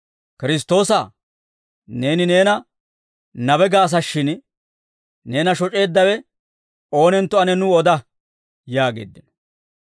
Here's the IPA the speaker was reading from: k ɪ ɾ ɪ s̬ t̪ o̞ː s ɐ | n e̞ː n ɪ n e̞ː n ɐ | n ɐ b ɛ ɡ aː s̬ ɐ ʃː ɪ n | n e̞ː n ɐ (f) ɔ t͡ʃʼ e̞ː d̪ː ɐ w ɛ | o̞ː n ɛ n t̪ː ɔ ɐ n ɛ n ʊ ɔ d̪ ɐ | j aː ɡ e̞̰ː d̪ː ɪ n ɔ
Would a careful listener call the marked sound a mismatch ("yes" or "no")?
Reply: yes